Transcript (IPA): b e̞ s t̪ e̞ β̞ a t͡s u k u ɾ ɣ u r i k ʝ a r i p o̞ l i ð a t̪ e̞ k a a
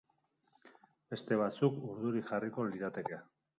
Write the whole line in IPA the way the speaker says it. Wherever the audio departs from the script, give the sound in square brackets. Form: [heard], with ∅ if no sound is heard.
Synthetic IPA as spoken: b e̞ s t̪ e̞ β̞ a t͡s u k u ɾ [ð] u [ɾ] i k ʝ a r i [k] o̞ l i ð a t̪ e̞ k [e] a